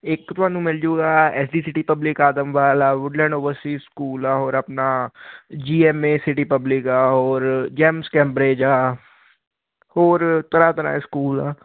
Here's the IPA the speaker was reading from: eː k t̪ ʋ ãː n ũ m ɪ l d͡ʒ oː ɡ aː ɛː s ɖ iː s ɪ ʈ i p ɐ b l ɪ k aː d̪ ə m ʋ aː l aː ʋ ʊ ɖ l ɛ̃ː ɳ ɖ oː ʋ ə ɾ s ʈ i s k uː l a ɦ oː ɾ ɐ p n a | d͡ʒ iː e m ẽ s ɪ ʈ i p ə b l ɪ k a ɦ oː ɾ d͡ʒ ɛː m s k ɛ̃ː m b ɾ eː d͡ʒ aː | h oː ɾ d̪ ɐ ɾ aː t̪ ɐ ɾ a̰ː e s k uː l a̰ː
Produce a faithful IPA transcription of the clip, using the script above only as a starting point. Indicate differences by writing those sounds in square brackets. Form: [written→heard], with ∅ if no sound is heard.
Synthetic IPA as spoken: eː k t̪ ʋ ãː n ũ m ɪ l d͡ʒ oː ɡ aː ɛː s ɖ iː s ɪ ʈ i p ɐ b l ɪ k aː d̪ ə m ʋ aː l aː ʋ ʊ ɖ l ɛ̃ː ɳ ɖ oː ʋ ə ɾ s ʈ i s k uː l a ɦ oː ɾ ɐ p n a | d͡ʒ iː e m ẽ s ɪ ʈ i p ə b l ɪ k a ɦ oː ɾ d͡ʒ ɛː m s k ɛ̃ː m b ɾ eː d͡ʒ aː | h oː ɾ [d̪→t̪] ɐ ɾ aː t̪ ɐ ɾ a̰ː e s k uː l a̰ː

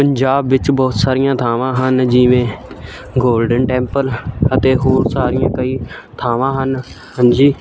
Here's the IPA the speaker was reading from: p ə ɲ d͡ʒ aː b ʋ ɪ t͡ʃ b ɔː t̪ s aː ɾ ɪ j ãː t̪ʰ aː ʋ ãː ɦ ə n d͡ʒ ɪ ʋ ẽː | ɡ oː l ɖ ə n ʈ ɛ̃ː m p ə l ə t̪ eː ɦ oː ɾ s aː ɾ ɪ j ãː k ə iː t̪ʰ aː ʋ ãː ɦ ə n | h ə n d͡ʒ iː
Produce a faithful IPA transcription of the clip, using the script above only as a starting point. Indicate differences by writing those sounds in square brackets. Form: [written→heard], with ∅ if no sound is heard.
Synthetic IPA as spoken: p ə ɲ d͡ʒ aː b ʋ ɪ t͡ʃ b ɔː t̪ s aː ɾ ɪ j ãː t̪ʰ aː ʋ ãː ɦ ə n d͡ʒ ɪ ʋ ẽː | ɡ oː l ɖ ə n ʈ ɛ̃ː m p ə l ə t̪ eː ɦ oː ɾ s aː ɾ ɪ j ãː k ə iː t̪ʰ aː ʋ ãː ɦ ə n | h ə n d͡ʒ iː

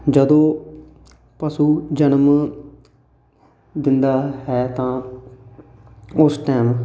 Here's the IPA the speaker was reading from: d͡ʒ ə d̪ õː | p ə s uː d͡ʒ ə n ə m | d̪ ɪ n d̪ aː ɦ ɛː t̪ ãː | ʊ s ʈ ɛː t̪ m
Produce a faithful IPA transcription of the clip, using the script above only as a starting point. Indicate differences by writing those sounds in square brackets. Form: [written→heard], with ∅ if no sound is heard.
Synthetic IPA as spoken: d͡ʒ ə d̪ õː | p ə s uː d͡ʒ ə n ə m | d̪ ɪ n d̪ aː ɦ ɛː t̪ ãː | ʊ s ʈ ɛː [t̪→∅] m

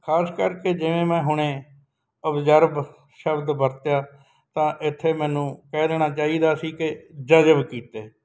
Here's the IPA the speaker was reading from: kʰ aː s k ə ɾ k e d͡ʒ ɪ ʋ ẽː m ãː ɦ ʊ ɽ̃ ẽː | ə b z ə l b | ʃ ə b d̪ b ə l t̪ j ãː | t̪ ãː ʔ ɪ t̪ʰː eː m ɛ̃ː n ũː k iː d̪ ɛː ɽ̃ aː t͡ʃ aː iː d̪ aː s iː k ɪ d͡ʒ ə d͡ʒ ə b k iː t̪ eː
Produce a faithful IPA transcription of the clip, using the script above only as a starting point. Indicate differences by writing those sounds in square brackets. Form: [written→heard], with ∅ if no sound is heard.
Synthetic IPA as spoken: kʰ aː s k ə ɾ k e d͡ʒ ɪ ʋ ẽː m [ãː→ɛ̃ː] ɦ ʊ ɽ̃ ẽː | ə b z ə [l→ɾ] b | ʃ ə b d̪ b ə [l→ɾ] t̪ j [ãː→aː] | t̪ ãː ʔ ɪ t̪ʰː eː m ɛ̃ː n ũː k [iː→ɛː] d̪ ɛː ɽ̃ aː t͡ʃ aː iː d̪ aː s iː k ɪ d͡ʒ ə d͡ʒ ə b k iː t̪ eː

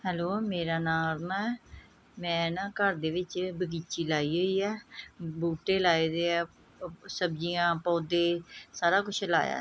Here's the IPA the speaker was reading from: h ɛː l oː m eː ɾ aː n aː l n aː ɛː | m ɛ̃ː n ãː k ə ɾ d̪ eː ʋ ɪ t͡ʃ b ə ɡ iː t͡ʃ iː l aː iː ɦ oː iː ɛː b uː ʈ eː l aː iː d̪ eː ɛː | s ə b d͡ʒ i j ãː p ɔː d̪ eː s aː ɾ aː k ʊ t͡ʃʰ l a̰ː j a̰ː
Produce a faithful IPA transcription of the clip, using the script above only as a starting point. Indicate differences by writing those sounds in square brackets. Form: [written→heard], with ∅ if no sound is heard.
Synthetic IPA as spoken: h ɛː l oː m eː ɾ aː n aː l n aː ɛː | m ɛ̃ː n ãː k ə ɾ d̪ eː ʋ ɪ t͡ʃ b ə ɡ iː t͡ʃ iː l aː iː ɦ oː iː ɛː b uː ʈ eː l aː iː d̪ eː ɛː | s ə b d͡ʒ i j ãː p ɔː d̪ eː s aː ɾ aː k ʊ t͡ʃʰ l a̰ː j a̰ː

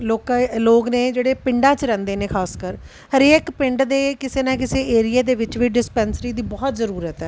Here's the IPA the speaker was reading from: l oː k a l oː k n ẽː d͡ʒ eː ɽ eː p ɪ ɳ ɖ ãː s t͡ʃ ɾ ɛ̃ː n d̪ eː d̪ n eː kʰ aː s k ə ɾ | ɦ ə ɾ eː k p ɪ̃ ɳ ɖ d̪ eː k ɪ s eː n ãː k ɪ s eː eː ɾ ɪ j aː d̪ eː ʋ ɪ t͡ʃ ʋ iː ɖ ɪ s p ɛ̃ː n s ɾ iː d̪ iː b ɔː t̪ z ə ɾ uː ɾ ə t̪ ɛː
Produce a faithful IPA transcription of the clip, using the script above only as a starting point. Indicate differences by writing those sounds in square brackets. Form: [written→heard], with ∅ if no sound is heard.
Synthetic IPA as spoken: l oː k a l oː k n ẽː d͡ʒ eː ɽ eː p ɪ ɳ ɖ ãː [s→∅] t͡ʃ ɾ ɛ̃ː n d̪ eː [d̪→∅] n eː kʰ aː s k ə ɾ | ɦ ə ɾ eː k p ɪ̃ ɳ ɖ d̪ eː k ɪ s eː n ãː k ɪ s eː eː ɾ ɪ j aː d̪ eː ʋ ɪ t͡ʃ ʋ iː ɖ ɪ s p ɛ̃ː n s ɾ iː d̪ iː b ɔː t̪ z ə ɾ uː ɾ ə t̪ ɛː

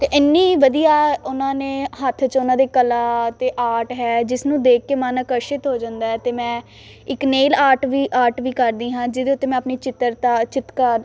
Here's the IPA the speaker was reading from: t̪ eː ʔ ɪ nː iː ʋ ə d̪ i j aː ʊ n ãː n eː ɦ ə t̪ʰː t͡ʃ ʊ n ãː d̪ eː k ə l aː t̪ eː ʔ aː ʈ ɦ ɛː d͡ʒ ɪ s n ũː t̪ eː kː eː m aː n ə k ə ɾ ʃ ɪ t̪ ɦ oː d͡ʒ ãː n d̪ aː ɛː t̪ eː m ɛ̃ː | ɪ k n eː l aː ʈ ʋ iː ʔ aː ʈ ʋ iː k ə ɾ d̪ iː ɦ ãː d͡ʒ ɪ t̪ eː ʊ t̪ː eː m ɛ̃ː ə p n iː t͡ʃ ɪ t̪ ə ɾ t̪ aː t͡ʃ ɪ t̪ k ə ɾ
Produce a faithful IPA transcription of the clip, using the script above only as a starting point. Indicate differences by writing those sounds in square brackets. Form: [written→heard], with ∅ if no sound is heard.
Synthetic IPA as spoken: t̪ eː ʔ ɪ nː iː ʋ ə d̪ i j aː ʊ n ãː n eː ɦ ə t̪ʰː t͡ʃ ʊ n ãː d̪ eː k ə l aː t̪ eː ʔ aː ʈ ɦ ɛː d͡ʒ ɪ s n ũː [t̪→d̪] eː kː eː m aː n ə k ə ɾ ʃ ɪ t̪ ɦ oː d͡ʒ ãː n d̪ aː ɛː t̪ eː m ɛ̃ː | ɪ k n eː l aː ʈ ʋ iː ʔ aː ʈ ʋ iː k ə ɾ d̪ iː ɦ ãː d͡ʒ ɪ [t̪→d̪] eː ʊ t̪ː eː m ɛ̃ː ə p n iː t͡ʃ ɪ t̪ ə ɾ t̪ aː t͡ʃ ɪ t̪ k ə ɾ

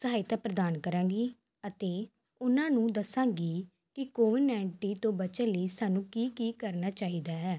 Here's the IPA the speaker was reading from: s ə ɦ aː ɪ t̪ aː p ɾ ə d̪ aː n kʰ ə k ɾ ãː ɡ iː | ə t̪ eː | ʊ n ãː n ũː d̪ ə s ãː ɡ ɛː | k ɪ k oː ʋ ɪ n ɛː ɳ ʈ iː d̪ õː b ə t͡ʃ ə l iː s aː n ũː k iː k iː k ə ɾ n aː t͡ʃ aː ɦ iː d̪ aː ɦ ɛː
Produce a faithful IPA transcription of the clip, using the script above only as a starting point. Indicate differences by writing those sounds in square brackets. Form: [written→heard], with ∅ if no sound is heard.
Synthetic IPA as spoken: s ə ɦ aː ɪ t̪ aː p ɾ ə d̪ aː n [kʰ→k] ə [k→∅] ɾ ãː ɡ iː | ə t̪ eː | ʊ n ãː n ũː d̪ ə s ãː ɡ [ɛː→iː] | k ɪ k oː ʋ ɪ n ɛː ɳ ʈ iː [d̪→t̪] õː b ə t͡ʃ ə l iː s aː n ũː k iː k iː k ə ɾ n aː t͡ʃ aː ɦ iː d̪ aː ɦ ɛː

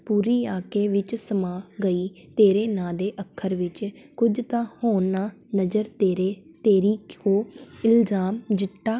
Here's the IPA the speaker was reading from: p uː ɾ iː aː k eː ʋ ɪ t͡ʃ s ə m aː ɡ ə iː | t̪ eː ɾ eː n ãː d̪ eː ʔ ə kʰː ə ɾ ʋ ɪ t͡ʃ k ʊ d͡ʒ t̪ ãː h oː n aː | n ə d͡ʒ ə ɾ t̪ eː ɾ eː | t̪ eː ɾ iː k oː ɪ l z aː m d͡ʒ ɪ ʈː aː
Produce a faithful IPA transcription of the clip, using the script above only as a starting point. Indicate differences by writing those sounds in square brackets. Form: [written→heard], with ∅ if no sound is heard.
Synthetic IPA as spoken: p uː ɾ iː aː k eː ʋ ɪ t͡ʃ s ə m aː ɡ ə iː | t̪ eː ɾ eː n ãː d̪ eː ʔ ə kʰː ə ɾ ʋ ɪ t͡ʃ k ʊ d͡ʒ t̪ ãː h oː n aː | n ə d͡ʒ ə ɾ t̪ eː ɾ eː | t̪ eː ɾ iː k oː ɪ l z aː m d͡ʒ ɪ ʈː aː

